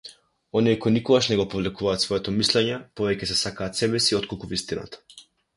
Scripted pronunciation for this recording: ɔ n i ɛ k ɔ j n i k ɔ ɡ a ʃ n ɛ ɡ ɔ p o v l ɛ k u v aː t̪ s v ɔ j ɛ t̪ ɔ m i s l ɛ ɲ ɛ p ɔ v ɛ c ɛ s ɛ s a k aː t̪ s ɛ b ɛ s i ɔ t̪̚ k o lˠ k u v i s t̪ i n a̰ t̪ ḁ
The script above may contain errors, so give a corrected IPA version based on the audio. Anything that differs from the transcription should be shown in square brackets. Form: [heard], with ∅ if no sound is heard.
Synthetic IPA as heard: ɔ n i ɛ k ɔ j n i k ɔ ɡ a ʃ n ɛ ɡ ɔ p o v l ɛ k u v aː t̪ s v ɔ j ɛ t̪ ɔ m i s l ɛ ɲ ɛ p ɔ v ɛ c ɛ s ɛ s a k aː t̪ s ɛ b ɛ s i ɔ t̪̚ k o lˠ k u v i s t̪ i n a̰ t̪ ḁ